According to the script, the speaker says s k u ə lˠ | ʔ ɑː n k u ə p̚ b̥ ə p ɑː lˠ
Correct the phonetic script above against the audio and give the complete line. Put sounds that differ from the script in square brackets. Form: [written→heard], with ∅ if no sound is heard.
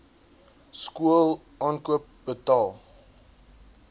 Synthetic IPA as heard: s k u ə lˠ | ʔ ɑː n k u ə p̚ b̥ ə [p→t] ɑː lˠ